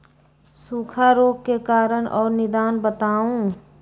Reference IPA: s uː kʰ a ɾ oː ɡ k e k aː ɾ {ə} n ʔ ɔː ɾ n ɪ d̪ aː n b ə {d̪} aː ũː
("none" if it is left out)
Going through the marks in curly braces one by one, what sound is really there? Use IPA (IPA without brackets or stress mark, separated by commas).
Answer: ə, t̪